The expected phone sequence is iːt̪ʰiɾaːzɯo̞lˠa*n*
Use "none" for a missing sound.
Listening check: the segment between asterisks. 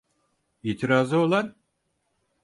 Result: n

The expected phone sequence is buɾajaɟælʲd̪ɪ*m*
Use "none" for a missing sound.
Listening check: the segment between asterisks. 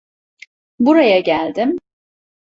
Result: m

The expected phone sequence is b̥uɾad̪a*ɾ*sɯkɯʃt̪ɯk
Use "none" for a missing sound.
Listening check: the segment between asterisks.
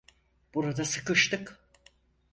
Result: none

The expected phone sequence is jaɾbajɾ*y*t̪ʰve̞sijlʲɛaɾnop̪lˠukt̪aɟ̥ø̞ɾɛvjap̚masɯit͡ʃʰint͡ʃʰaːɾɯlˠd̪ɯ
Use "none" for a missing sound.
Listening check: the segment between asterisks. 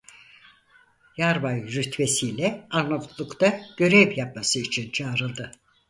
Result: y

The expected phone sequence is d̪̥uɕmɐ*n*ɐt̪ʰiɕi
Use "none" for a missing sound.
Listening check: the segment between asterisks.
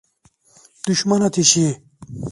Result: n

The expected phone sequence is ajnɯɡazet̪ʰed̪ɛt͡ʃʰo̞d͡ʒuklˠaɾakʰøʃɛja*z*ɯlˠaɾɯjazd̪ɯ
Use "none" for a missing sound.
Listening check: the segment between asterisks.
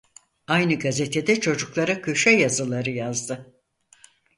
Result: z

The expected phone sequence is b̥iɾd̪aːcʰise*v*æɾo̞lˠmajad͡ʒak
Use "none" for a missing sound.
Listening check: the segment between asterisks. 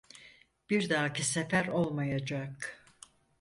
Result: f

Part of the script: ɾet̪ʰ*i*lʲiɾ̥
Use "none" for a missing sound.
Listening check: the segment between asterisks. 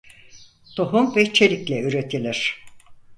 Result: i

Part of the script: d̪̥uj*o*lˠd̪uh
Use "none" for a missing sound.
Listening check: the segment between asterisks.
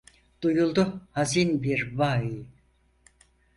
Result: u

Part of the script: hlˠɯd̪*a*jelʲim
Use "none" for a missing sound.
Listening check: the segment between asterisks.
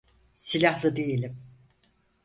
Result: e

